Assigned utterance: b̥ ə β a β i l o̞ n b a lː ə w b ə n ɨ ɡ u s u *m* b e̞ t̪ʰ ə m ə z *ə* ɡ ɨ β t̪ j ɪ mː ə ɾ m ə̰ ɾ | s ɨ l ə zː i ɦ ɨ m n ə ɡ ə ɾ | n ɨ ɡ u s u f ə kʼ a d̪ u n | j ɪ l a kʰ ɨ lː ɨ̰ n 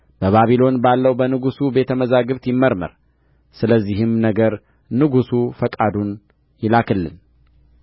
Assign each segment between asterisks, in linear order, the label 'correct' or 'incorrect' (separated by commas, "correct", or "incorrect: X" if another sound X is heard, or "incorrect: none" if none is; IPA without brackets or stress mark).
incorrect: none, incorrect: a